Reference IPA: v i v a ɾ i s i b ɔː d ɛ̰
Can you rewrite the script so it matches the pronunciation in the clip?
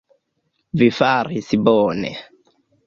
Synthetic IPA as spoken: v i f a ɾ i s i b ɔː n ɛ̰